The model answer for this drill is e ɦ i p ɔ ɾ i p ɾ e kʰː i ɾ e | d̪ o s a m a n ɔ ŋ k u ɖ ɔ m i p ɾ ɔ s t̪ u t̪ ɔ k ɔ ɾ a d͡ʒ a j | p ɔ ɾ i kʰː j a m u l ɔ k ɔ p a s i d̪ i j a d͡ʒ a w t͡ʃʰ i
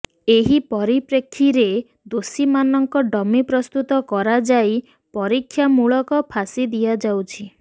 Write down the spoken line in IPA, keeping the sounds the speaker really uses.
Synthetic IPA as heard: e ɦ i p ɔ ɾ i p ɾ e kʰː i ɾ e | d̪ o s i m a n ɔ ŋ k ɔ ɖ ɔ m i p ɾ ɔ s t̪ u t̪ ɔ k ɔ ɾ a d͡ʒ a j | p ɔ ɾ i kʰː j a m u ɭ ɔ k ɔ pʰ a s i d̪ i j a d͡ʒ a w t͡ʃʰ i